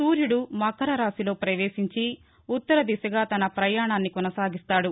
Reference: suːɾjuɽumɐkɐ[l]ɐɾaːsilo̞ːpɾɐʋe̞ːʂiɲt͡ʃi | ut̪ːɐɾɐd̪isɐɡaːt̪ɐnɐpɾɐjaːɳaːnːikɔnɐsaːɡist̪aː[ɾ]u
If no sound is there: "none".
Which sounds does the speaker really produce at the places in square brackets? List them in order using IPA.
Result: ɾ, ɽ

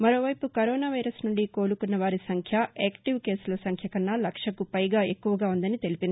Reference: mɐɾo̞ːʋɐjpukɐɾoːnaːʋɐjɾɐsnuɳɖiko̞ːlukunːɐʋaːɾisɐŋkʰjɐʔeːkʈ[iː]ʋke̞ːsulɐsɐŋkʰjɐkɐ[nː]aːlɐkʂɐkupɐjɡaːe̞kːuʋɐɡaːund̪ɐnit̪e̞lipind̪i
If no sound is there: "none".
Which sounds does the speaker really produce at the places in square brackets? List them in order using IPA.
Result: i, nː

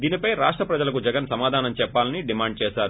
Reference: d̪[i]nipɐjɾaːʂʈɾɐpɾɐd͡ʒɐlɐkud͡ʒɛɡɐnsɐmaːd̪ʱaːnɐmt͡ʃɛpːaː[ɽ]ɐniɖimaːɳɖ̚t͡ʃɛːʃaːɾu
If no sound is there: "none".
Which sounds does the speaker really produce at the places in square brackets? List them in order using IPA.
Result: iː, l

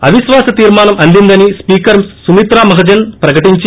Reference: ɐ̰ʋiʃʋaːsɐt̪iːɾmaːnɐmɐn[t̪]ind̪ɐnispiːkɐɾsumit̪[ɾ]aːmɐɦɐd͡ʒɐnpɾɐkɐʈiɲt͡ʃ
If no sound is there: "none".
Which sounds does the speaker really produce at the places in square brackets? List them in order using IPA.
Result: d̪, ɾ

